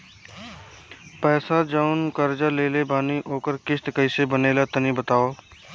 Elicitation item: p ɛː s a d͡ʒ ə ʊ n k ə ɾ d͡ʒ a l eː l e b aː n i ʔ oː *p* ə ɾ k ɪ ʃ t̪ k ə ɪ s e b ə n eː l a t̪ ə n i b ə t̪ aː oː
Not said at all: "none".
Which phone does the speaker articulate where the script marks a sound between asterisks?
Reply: k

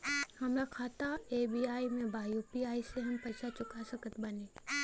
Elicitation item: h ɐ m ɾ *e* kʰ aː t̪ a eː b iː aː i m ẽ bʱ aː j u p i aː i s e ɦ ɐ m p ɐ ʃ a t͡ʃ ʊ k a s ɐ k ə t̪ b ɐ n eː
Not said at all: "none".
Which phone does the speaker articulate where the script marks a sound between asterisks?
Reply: a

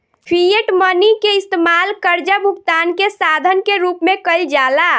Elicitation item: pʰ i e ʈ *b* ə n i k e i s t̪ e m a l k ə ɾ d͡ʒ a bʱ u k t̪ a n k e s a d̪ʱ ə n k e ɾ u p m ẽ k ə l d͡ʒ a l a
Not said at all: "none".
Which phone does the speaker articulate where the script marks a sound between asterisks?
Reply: m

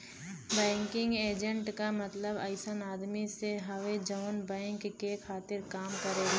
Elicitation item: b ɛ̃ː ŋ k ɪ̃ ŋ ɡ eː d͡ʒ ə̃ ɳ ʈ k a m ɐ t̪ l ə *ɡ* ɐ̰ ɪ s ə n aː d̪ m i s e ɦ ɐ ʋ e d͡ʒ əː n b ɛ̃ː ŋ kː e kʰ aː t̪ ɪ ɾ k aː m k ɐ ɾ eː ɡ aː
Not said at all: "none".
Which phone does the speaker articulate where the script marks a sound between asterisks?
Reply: b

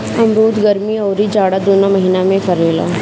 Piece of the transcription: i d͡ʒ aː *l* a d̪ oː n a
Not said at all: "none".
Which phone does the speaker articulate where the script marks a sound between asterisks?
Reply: ɽ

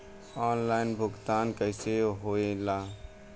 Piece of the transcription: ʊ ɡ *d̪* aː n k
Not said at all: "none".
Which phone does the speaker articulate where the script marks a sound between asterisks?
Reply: t̪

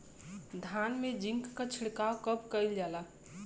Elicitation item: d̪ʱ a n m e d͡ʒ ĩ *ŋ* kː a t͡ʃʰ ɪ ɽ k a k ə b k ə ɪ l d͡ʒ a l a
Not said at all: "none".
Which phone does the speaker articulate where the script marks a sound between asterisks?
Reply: ŋ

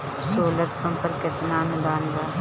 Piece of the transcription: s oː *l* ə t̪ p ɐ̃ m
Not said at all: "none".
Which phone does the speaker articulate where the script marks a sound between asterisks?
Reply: l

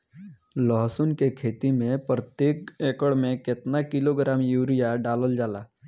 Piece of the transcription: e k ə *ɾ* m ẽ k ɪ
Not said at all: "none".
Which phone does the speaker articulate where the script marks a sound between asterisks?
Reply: ɽ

